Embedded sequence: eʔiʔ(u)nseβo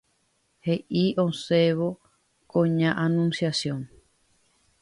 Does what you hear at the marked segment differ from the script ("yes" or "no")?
yes